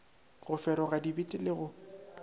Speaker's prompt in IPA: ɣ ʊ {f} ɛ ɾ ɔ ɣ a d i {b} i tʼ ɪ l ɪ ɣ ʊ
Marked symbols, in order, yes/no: yes, yes

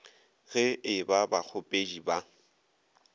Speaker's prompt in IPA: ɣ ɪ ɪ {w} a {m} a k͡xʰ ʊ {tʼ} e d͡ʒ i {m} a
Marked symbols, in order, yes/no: no, no, no, no

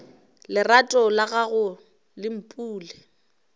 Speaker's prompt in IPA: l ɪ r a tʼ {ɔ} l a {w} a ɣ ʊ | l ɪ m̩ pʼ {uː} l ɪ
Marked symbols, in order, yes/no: yes, no, yes

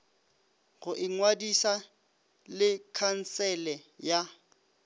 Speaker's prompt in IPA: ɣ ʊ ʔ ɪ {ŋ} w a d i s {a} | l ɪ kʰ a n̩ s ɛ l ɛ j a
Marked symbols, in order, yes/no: yes, yes

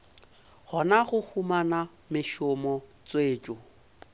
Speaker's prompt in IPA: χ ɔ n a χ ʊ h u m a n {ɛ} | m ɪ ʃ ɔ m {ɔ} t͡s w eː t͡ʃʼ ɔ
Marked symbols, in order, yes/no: no, yes

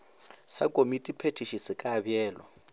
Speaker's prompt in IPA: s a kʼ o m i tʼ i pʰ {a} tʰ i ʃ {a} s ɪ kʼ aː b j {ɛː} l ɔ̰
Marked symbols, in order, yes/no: no, no, yes

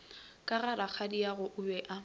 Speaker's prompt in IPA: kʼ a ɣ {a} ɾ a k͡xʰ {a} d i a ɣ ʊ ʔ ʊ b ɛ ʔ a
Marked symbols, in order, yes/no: yes, yes

